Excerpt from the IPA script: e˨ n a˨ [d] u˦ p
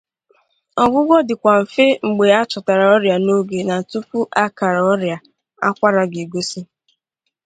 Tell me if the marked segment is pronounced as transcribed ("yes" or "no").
no